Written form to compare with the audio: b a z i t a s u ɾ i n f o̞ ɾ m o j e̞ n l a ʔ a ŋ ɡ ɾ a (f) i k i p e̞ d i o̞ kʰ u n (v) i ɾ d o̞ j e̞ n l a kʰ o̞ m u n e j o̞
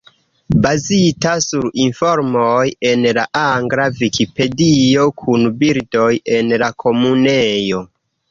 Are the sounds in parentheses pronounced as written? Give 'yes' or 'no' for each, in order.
no, no

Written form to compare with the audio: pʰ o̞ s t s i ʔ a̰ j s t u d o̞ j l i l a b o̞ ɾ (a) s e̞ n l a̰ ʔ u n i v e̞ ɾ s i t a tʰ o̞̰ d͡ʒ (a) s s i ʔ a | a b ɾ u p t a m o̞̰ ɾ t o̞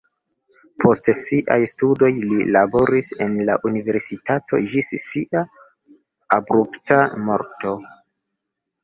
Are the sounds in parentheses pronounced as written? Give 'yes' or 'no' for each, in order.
no, no

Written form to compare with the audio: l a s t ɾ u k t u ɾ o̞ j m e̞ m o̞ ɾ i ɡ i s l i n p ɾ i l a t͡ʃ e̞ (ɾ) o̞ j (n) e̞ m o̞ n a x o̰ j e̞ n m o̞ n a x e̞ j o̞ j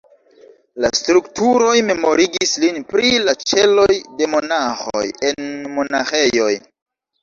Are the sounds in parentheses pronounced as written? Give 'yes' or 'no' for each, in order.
no, no

